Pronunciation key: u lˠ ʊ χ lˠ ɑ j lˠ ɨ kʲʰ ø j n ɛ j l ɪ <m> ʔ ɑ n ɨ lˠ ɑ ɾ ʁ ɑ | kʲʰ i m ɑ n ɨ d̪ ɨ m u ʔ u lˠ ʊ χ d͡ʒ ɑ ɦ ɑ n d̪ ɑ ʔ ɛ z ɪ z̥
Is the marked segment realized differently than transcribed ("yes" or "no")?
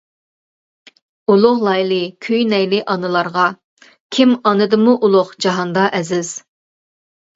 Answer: yes